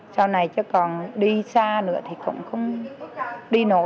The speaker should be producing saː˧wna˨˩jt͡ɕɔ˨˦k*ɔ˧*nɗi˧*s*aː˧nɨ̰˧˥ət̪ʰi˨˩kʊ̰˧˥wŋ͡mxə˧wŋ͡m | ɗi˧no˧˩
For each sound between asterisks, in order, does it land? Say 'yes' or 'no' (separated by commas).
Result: no, yes